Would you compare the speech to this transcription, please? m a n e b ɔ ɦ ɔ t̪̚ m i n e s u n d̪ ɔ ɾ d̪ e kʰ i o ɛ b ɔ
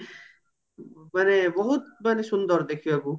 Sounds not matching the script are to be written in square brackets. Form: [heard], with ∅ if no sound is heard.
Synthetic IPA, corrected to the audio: m a n e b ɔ ɦ [u] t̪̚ m [a] n e s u n d̪ ɔ ɾ d̪ e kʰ i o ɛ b [u]